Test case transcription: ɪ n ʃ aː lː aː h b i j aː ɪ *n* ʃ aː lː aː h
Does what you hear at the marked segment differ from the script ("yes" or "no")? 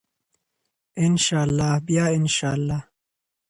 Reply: no